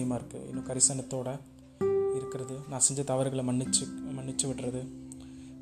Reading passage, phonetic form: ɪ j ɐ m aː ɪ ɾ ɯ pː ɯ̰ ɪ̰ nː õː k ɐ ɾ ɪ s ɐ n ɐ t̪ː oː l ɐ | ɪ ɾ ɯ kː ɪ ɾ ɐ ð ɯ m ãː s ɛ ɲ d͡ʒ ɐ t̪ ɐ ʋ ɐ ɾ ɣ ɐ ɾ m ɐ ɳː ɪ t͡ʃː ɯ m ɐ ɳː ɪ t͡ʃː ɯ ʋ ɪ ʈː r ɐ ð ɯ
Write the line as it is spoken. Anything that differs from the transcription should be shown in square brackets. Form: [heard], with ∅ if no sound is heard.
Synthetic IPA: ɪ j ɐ m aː ɪ ɾ ɯ [kː] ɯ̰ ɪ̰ nː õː k ɐ ɾ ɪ s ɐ n ɐ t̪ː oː [ɽ] ɐ | ɪ ɾ ɯ kː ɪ ɾ ɐ ð ɯ [n] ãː s ɛ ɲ d͡ʒ ɐ t̪ ɐ ʋ ɐ ɾ ɣ ɐ [ɭ] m ɐ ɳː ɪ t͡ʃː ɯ m ɐ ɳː ɪ t͡ʃː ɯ ʋ ɪ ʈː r ɐ ð ɯ